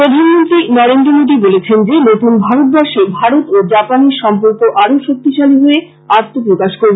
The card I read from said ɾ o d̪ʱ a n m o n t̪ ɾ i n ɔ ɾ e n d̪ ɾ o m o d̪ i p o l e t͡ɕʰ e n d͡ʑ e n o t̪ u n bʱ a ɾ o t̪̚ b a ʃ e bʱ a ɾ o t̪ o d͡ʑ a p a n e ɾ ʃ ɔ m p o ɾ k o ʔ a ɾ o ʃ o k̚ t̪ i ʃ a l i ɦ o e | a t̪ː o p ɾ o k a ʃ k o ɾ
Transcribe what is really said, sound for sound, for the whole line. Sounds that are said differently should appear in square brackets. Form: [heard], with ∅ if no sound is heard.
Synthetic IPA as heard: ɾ o d̪ʱ a n m o n t̪ ɾ i n ɔ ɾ e n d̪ ɾ o m o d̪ i [b] o l e t͡ɕʰ e n d͡ʑ e n o t̪ u n bʱ a ɾ o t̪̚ b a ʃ e bʱ a ɾ o t̪ o d͡ʑ a p a n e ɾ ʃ ɔ m p o ɾ k o ʔ a ɾ o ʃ o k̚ t̪ i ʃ a l i ɦ o e | a t̪ː o p ɾ o k a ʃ k o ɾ

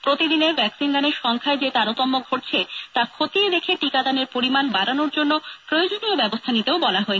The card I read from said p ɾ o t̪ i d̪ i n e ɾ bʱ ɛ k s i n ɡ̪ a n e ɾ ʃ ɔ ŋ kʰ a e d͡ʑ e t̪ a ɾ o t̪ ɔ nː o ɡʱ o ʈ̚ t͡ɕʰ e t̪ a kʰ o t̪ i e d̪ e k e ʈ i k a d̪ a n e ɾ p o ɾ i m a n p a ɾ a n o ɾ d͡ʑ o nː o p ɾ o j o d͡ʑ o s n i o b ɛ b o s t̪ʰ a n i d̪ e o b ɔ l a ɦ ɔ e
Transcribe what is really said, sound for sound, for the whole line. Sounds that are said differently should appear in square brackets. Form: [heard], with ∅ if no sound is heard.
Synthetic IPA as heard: p ɾ o t̪ i d̪ i n e ɾ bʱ ɛ k s i n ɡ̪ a n e ɾ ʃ ɔ ŋ kʰ a e d͡ʑ e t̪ a ɾ o t̪ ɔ [mː] o ɡʱ o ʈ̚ t͡ɕʰ e t̪ a kʰ o t̪ i e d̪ e [kʰ] e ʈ i k a d̪ a n e ɾ p o ɾ i m a n [b] a ɾ a n o ɾ d͡ʑ o nː o p ɾ o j o d͡ʑ o [∅] n i o b ɛ b o s t̪ʰ a n i [t̪] e o b ɔ l a ɦ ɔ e

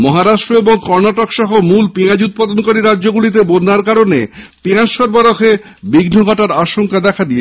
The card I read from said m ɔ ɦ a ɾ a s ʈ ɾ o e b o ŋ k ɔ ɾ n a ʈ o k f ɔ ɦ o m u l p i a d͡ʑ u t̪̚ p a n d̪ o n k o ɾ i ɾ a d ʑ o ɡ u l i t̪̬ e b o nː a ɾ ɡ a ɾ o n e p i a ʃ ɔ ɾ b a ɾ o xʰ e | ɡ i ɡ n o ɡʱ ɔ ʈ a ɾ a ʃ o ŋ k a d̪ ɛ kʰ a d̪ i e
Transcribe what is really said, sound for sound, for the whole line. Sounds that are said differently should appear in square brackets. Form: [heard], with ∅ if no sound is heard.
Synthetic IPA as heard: m ɔ ɦ a ɾ a [ʃ] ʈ ɾ o e b o ŋ k ɔ ɾ n a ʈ o k [ʃ] ɔ ɦ o m u l p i a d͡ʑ u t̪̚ p a [∅] d̪ o n k o ɾ i ɾ a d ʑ o ɡ u l i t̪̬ e b o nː a ɾ [k] a ɾ o n e p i a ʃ ɔ ɾ b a ɾ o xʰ e | [b] i ɡ n o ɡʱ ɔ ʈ a ɾ a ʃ o ŋ k a d̪ ɛ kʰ a d̪ i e

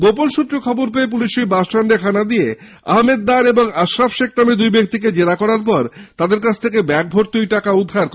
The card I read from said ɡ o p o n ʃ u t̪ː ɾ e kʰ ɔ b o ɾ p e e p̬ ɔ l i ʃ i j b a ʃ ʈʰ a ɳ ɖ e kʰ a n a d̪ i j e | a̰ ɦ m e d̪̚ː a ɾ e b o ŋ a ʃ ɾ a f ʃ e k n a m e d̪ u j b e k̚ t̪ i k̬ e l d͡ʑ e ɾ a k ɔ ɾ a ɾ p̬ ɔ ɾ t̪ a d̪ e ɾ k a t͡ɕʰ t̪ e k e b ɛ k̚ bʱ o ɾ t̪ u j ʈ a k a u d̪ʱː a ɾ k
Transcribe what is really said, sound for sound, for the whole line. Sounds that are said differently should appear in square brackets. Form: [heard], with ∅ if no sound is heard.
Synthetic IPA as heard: ɡ o p o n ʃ u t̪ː ɾ e kʰ ɔ b o ɾ p e e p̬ [u] l i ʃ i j b a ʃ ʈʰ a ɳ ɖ e kʰ a n a d̪ i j e | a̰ ɦ m e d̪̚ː a ɾ e b o ŋ a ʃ ɾ a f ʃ e k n a m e d̪ u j b e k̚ t̪ i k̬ e [∅] d͡ʑ e ɾ a k ɔ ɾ a ɾ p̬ ɔ ɾ t̪ a d̪ e ɾ k a t͡ɕʰ [t̪ʰ] e k e b ɛ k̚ bʱ o ɾ t̪ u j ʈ a k a u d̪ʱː a ɾ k

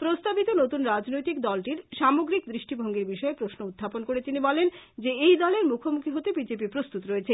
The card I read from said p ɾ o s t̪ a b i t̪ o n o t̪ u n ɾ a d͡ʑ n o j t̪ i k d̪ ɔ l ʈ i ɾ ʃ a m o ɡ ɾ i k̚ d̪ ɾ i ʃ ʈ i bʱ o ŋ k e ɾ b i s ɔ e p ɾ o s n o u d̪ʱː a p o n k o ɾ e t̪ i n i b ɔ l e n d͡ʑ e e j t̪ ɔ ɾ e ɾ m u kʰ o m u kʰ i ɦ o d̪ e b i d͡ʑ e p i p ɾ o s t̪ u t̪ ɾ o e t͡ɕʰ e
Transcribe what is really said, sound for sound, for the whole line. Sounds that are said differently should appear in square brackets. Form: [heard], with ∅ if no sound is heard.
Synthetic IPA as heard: p ɾ o s t̪ a b i t̪ o n o t̪ u n ɾ a d͡ʑ n o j t̪ i k d̪ ɔ l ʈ i ɾ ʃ a m o ɡ ɾ i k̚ d̪ ɾ i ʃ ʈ i bʱ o ŋ [ɡ] e ɾ b i [ʃ] ɔ e p ɾ o s n o u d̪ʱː a p o n k o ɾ e t̪ i n i b ɔ l e n d͡ʑ e e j [d̪] ɔ [l] e ɾ m u kʰ o m u kʰ i ɦ o [t̪] e b i d͡ʑ e p i p ɾ o s t̪ u t̪ ɾ o e t͡ɕʰ e

